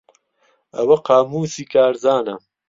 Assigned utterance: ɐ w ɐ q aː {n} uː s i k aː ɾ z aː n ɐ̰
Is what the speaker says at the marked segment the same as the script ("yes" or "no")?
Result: no